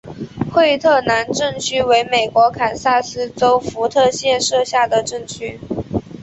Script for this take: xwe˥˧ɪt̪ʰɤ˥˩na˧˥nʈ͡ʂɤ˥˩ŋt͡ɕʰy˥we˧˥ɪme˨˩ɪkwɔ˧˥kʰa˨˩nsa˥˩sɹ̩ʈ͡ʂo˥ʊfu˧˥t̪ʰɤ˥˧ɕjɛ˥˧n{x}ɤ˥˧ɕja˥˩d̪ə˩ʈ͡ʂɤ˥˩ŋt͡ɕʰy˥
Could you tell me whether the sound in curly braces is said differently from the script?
yes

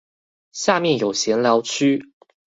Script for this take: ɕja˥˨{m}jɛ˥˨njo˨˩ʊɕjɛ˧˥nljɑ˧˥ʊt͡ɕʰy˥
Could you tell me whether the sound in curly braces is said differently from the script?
no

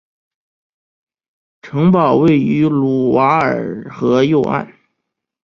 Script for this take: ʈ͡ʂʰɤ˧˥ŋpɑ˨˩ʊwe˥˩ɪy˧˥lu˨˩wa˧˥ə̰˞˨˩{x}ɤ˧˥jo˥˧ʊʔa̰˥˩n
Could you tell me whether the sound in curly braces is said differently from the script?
no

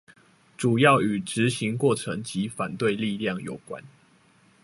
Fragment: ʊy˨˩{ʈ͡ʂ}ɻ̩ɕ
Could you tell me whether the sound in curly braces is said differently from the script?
no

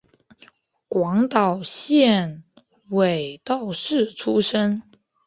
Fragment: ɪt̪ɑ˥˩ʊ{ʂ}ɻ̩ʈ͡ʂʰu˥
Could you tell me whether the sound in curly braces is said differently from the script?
no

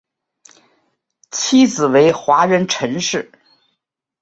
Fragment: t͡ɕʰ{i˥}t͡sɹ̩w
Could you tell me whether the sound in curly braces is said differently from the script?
no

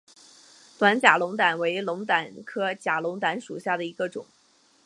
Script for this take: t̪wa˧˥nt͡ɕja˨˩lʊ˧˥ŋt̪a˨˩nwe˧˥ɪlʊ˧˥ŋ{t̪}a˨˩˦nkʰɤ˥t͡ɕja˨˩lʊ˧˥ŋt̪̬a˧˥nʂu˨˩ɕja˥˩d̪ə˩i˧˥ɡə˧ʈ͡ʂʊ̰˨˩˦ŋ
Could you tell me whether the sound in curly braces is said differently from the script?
no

